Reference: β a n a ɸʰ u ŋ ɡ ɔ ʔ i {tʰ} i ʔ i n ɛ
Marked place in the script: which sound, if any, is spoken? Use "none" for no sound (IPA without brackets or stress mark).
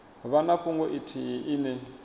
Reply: tʰ